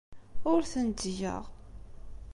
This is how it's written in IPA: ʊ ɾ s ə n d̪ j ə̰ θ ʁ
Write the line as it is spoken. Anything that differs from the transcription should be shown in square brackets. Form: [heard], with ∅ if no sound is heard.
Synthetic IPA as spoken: ʊ ɾ [θ] ə n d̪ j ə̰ [∅] ʁ